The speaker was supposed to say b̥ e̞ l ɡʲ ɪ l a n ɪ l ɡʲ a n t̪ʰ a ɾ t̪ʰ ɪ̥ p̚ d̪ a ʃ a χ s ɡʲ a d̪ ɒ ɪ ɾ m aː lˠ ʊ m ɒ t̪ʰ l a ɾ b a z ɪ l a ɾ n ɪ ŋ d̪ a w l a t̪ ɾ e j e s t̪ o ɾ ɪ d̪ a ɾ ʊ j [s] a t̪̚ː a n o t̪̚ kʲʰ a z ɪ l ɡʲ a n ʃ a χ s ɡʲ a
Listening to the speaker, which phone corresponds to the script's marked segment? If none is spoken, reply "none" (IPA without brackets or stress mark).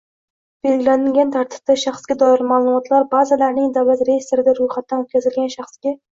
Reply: χ